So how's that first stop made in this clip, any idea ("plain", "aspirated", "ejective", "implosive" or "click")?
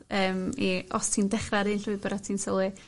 aspirated